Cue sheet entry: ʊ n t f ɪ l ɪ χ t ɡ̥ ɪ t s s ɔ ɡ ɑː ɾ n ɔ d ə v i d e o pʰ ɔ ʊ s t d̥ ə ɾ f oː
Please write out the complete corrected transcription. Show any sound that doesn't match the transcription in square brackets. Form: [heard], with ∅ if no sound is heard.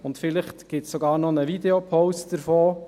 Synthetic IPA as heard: ʊ n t f ɪ l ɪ χ t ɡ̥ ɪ t s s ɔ ɡ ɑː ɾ n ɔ [n] ə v i d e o pʰ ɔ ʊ s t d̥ ə ɾ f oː